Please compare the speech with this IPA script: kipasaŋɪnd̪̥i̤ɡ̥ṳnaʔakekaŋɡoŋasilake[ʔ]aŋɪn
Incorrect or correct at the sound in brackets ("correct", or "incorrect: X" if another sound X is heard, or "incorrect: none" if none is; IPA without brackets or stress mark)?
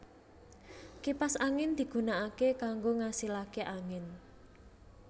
correct